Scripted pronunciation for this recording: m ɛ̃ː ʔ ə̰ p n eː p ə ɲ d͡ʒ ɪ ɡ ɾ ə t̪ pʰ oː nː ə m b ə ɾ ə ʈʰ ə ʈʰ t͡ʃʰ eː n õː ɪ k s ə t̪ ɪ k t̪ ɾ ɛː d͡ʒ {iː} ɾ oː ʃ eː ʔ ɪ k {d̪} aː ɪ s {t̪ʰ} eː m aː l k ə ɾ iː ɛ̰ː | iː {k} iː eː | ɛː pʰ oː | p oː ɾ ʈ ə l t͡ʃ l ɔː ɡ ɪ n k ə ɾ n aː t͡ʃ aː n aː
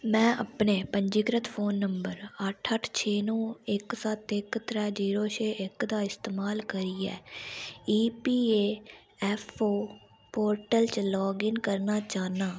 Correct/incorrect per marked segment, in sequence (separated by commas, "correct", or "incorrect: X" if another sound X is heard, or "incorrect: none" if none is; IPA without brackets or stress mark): correct, correct, incorrect: t̪, incorrect: p